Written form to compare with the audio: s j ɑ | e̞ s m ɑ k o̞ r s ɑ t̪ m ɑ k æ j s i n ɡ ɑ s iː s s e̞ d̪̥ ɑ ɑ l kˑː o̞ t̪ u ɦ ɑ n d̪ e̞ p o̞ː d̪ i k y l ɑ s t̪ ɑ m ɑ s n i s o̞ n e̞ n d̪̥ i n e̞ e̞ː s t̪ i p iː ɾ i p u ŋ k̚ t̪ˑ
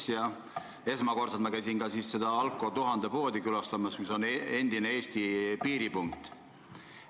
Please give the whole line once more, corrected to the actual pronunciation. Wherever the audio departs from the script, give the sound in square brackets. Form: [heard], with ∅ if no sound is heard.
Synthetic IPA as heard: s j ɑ | e̞ s m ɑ k o̞ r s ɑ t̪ m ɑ k æ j s i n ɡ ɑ s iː s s e̞ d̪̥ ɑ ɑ l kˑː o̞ t̪ u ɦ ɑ n d̪ e̞ p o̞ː d̪ i k y l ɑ s t̪ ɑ m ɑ s [m] i s o̞ n e̞ n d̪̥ i n e̞ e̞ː s t̪ i p iː ɾ i p u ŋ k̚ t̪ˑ